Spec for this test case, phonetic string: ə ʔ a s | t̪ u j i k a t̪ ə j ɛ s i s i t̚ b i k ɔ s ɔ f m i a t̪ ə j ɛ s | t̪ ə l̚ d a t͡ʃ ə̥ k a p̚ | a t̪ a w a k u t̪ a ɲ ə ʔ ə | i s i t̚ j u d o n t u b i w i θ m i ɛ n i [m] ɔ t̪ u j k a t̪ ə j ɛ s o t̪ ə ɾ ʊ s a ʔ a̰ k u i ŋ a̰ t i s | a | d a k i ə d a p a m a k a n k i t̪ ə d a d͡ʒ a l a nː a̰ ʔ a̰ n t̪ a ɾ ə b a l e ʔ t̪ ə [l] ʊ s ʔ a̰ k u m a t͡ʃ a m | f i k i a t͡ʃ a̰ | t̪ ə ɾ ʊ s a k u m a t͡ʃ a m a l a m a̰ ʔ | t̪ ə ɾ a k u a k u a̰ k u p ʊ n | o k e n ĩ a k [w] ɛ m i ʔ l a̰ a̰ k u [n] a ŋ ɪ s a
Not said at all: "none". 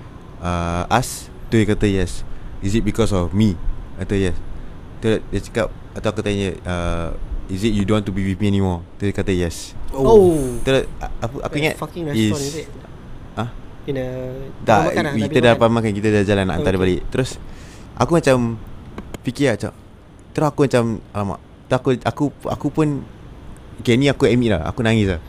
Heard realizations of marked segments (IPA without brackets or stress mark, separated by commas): m, ɾ, u, n